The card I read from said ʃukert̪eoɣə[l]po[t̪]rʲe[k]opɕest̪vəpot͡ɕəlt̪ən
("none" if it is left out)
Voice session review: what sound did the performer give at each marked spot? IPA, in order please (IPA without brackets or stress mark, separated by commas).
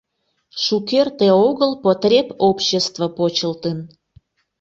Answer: l, t̪, p